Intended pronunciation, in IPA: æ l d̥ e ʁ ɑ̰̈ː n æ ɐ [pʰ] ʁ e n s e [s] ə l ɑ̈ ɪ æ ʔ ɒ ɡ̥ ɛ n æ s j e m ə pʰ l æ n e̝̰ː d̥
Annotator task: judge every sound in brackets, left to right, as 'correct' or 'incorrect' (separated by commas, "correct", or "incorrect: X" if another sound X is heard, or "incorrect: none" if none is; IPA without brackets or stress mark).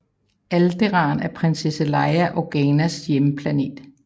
correct, correct